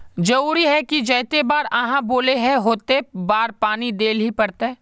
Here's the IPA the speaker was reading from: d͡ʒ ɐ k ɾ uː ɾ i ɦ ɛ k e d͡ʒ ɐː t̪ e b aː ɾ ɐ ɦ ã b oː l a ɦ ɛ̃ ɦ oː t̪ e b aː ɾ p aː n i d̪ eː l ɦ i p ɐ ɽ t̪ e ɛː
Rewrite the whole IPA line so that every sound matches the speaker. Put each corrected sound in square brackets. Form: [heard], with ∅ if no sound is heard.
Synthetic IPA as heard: d͡ʒ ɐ [∅] ɾ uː ɾ i ɦ ɛ k [i] d͡ʒ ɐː t̪ e b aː ɾ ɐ ɦ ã b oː l [e] ɦ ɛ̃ ɦ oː t̪ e b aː ɾ p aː n i d̪ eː l ɦ i p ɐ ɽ t̪ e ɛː